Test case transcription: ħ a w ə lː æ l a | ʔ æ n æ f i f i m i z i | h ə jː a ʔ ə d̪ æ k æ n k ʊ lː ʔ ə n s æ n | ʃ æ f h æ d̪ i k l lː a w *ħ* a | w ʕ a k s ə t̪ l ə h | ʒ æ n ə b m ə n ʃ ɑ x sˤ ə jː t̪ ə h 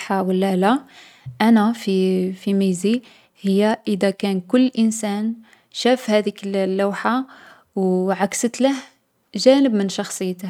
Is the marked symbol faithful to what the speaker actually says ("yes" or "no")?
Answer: yes